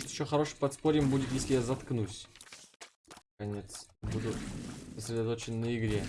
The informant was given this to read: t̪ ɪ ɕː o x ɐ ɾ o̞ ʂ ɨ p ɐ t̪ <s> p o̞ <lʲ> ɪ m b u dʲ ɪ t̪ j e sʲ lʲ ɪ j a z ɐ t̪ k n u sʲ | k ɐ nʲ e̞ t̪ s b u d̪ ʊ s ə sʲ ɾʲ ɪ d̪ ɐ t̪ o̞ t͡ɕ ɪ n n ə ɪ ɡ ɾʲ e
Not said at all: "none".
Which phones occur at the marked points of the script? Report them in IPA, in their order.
s, ɾʲ

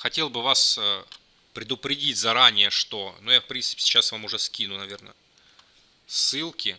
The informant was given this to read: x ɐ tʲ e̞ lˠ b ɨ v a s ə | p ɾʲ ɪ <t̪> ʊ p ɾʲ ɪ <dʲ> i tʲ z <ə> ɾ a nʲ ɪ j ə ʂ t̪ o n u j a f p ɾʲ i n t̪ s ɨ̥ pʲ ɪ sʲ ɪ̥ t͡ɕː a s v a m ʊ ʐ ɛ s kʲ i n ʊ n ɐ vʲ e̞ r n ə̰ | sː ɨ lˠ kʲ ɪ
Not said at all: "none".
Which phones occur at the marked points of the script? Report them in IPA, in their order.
d̪, dʲ, ɐ

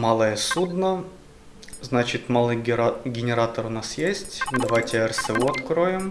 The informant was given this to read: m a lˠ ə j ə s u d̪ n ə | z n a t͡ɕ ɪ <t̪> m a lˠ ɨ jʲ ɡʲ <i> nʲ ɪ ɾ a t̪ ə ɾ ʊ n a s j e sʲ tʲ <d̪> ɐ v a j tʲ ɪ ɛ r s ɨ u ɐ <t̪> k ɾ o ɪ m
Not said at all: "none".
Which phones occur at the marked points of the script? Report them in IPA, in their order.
t̪, ɪ, d̪, t̪

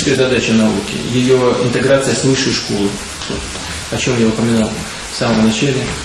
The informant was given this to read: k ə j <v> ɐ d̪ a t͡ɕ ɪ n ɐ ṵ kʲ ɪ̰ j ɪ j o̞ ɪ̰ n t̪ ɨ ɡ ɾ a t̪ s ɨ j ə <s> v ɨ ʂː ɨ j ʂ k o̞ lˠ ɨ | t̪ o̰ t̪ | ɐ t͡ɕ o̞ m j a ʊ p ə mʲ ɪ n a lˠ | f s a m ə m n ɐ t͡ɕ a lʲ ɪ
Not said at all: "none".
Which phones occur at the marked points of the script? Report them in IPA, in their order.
z, s

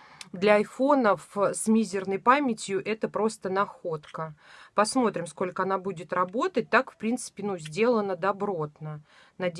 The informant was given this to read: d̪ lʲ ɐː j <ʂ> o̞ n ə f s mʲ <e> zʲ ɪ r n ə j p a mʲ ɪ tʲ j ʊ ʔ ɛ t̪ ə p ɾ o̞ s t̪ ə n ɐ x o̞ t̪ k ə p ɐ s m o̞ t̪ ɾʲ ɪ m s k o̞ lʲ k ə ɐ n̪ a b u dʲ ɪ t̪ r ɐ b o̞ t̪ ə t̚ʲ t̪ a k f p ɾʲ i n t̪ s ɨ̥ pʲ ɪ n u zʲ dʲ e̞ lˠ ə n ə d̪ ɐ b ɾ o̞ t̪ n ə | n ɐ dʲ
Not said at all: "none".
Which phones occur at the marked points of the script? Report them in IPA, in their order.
f, i

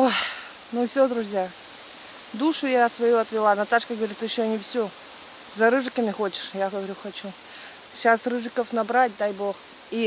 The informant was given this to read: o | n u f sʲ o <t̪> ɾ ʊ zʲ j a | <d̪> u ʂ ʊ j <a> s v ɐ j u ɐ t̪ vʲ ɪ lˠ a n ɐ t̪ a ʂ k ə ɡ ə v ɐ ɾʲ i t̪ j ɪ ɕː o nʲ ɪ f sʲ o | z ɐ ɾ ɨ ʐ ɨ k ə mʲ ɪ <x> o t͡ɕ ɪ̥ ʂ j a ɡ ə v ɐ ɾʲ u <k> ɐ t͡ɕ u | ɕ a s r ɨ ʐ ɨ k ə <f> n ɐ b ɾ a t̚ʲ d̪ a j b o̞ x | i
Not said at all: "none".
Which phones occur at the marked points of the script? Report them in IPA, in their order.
d̪, d̪, a, x, x, f

